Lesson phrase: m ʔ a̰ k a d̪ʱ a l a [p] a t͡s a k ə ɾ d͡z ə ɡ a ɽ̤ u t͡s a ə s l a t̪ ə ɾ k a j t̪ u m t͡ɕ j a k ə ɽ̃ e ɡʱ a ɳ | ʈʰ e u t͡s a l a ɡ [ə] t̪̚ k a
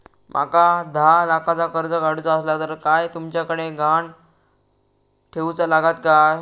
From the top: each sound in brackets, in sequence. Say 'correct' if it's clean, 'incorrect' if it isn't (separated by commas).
incorrect, incorrect